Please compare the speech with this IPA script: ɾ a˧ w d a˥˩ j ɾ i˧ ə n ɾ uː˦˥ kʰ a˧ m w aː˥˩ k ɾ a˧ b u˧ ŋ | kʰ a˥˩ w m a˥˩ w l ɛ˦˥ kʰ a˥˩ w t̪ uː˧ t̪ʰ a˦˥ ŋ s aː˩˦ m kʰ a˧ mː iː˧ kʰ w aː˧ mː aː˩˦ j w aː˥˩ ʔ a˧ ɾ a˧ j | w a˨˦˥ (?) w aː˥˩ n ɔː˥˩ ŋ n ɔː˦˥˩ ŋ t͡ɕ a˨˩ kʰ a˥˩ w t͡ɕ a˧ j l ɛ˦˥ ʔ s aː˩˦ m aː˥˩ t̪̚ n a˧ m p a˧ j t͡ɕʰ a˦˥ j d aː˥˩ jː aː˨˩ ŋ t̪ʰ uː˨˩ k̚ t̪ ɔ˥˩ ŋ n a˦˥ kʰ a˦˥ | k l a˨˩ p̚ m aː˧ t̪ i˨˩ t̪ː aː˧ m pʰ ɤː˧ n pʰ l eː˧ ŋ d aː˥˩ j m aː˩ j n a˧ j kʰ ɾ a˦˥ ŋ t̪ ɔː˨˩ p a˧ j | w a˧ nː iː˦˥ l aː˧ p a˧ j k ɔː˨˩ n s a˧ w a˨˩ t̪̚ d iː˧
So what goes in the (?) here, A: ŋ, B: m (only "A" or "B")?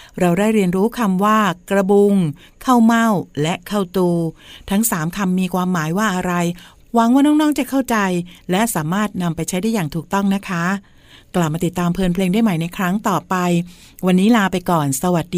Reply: A